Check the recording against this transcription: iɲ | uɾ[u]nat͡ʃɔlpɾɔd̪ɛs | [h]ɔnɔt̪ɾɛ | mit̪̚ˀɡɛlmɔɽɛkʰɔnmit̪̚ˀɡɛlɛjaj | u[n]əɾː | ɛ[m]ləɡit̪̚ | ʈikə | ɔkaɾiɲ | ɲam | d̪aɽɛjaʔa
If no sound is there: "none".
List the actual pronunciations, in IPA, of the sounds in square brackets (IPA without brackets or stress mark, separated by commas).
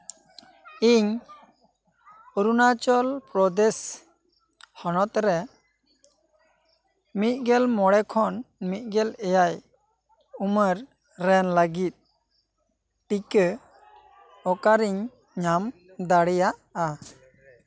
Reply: u, h, m, n